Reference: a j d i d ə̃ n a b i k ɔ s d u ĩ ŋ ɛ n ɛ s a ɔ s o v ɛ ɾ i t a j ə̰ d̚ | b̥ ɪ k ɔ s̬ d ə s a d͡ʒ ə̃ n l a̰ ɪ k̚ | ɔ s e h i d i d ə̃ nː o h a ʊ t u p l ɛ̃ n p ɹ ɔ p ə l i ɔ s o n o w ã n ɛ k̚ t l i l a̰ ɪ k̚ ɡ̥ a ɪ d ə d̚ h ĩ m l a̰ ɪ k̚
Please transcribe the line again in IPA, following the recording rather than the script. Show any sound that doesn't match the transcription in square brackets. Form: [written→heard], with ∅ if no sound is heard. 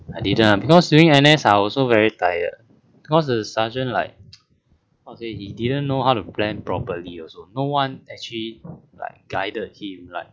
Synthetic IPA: a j d i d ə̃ n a b i k ɔ s d u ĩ ŋ ɛ n ɛ s a ɔ s o v ɛ [ɾ→ɹ] i t a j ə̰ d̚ | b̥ [ɪ→i] k ɔ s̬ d ə s a d͡ʒ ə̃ n l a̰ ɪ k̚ | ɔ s e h i d i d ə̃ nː o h a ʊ t u p l ɛ̃ n p ɹ ɔ p ə l i ɔ s o n o w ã n ɛ k̚ [t→t͡ʃ] l i l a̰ ɪ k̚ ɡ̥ a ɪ d ə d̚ h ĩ m l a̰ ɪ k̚